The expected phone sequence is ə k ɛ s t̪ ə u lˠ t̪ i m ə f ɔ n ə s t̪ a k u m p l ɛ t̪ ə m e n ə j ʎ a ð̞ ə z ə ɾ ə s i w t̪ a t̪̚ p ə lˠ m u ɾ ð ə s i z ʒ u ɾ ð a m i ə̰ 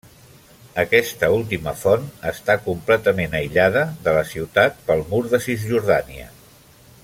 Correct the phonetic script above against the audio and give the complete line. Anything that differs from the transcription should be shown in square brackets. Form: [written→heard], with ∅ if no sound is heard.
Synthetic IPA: ə k ɛ s t̪ ə u lˠ t̪ i m ə f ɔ n ə s t̪ a k u m p l ɛ t̪ ə m e n ə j ʎ a ð̞ ə [z→ð] ə [ɾ→l] ə s i w t̪ a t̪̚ p ə lˠ m u ɾ ð ə s i z ʒ u ɾ ð a [m→n] i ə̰